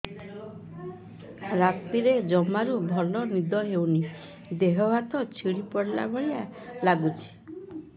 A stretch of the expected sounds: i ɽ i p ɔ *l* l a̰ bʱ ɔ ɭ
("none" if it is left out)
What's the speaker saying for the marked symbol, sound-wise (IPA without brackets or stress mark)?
ɽ